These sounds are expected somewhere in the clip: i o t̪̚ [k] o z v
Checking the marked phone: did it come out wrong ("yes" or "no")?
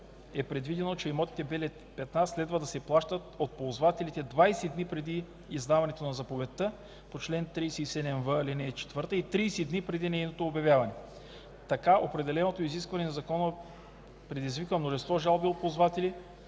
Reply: yes